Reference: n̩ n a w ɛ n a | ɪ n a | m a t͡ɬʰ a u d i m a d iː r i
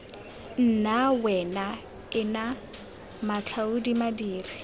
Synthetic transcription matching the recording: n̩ n a w ɛ n a | ɪ n a | m a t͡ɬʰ a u d i m a d iː r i